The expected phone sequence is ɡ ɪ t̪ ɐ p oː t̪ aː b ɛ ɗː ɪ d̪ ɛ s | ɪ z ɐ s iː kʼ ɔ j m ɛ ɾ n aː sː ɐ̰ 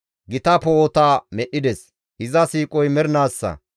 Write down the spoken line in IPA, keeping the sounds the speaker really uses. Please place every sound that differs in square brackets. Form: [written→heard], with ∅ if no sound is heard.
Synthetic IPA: ɡ ɪ t̪ ɐ p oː t̪ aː [b→m] ɛ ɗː ɪ d̪ ɛ s | ɪ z ɐ s iː kʼ ɔ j m ɛ ɾ n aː sː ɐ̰